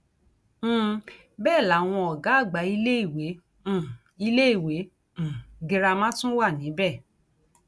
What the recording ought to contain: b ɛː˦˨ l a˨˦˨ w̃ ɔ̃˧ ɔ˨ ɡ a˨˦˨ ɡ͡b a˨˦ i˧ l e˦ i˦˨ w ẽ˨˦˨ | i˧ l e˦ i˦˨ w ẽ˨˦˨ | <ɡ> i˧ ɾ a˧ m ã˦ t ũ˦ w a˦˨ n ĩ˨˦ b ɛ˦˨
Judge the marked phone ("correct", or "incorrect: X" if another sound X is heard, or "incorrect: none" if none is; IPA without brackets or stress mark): correct